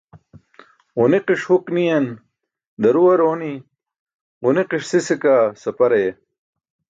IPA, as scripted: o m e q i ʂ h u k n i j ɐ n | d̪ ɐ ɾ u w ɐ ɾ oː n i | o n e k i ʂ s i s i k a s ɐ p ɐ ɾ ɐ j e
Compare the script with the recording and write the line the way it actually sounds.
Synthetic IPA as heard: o n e q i ʂ h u k n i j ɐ n | d̪ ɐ ɾ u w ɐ ɾ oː n i | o n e q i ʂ s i s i k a s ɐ p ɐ ɾ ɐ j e